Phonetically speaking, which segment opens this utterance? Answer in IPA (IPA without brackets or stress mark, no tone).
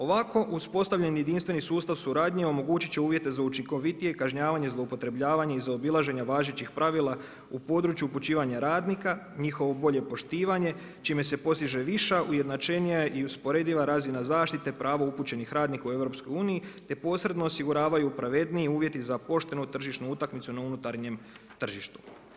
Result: o̞